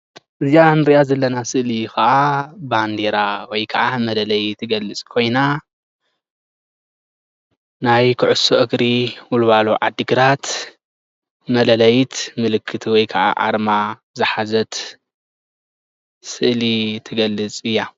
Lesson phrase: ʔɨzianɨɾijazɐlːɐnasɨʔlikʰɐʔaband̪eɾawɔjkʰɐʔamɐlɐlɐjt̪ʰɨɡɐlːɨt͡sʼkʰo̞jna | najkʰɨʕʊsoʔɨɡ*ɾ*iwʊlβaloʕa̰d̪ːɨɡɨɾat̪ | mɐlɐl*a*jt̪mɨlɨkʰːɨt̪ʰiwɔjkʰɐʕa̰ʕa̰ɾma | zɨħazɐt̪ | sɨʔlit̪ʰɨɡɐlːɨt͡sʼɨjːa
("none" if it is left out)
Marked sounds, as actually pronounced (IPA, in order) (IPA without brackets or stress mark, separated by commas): ɾ, ɐ